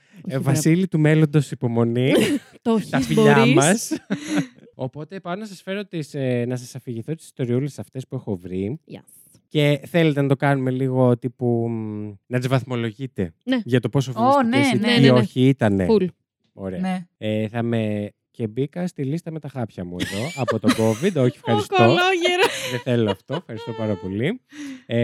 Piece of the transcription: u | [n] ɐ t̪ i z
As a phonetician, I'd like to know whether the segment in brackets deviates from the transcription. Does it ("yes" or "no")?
no